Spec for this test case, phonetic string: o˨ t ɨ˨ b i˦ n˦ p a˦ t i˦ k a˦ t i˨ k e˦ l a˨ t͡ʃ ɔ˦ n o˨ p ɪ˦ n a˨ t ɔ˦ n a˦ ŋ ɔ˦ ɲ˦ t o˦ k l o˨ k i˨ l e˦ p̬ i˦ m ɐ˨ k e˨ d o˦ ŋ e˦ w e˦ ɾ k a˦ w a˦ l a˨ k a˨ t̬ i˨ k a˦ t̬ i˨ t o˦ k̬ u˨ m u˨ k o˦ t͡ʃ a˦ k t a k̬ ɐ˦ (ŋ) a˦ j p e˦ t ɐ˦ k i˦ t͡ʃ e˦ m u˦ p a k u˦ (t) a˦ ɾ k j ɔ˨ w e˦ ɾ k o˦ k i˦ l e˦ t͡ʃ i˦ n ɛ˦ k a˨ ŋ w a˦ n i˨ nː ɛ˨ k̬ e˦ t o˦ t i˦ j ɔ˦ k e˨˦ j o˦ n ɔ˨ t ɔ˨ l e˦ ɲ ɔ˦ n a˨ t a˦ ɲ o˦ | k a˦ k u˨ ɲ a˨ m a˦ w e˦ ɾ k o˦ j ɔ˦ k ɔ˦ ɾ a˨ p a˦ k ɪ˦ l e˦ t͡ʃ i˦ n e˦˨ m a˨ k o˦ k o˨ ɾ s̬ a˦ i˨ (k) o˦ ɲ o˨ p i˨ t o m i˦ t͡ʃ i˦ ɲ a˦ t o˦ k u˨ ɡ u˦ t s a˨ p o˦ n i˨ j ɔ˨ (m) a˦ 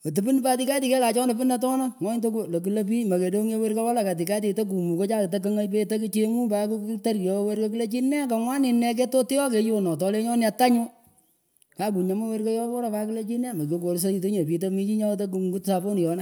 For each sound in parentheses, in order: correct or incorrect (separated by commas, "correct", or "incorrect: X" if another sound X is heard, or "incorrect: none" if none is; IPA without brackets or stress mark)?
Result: correct, correct, incorrect: t, incorrect: n